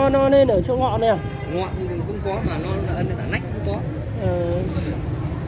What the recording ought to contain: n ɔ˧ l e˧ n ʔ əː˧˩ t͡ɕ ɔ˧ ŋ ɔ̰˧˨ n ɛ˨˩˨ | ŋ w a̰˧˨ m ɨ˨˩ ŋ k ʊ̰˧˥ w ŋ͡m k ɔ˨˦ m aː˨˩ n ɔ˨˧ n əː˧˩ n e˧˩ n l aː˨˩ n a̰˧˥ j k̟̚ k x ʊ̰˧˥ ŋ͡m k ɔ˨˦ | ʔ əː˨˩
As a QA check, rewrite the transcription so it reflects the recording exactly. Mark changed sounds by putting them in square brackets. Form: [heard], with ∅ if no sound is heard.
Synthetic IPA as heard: n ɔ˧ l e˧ n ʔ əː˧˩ t͡ɕ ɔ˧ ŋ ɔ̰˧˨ n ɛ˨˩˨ | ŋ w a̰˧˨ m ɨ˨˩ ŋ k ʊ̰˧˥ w ŋ͡m k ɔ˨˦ m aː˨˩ n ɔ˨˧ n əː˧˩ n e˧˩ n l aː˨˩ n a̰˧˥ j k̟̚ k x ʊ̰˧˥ ŋ͡m k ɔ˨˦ | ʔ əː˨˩